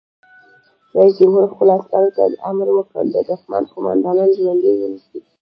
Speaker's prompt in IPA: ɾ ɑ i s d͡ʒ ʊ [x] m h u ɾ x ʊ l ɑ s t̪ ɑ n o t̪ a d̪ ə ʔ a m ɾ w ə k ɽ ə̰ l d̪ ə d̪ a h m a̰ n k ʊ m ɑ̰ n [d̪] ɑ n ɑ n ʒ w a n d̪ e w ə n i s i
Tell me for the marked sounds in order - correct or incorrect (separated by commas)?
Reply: incorrect, correct